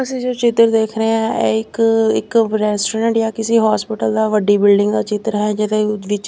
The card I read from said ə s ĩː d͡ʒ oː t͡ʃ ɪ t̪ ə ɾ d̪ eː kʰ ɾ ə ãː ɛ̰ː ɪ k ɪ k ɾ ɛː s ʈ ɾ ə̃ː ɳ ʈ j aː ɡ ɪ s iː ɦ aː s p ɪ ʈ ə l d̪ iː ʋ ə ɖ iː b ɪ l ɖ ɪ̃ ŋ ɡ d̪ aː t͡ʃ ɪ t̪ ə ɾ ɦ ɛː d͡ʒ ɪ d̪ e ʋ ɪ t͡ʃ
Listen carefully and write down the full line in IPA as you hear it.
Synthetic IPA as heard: ə s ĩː d͡ʒ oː t͡ʃ ɪ t̪ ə ɾ d̪ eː kʰ ɾ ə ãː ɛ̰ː ɪ k ɪ k ɾ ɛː s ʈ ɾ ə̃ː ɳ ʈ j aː k ɪ s iː ɦ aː s p ɪ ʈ ə l d̪ aː ʋ ə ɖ iː b ɪ l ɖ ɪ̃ ŋ ɡ d̪ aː t͡ʃ ɪ t̪ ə ɾ ɦ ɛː d͡ʒ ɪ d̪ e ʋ ɪ t͡ʃ